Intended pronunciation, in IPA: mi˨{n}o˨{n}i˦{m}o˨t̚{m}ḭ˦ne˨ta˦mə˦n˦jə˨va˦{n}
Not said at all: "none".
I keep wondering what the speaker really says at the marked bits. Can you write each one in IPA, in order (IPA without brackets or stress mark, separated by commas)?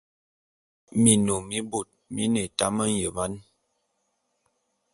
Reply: n, m, b, m, n